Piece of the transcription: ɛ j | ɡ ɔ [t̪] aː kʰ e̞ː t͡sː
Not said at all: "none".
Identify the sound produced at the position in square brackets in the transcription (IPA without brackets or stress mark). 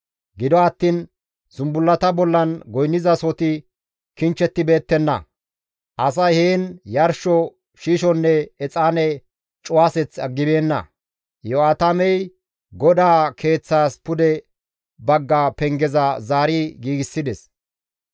d̪